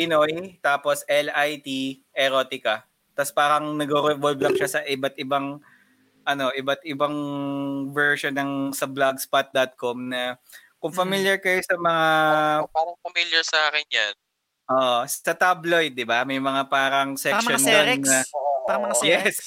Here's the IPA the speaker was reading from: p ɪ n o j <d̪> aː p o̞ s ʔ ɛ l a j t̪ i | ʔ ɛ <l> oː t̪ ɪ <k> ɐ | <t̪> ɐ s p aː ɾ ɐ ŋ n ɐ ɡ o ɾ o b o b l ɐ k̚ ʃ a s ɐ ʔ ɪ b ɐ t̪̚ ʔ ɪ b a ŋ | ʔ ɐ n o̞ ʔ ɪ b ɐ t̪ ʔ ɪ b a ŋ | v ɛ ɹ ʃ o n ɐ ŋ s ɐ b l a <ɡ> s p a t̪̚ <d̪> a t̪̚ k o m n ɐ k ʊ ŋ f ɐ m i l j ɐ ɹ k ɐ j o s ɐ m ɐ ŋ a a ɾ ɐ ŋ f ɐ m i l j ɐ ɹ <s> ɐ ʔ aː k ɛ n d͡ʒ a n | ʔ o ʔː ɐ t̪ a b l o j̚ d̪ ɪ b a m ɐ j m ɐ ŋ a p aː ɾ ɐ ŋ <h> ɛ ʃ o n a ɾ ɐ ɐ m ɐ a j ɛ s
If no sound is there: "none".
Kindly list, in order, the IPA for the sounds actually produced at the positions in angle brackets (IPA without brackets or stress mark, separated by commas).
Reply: t̪, ɾ, k, t̪, ɡ, d̪, s, s